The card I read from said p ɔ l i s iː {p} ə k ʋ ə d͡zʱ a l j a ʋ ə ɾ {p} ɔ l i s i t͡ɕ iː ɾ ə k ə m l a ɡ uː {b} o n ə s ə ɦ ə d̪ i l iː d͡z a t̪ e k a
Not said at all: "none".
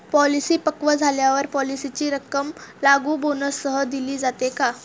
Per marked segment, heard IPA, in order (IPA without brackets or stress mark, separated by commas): p, p, b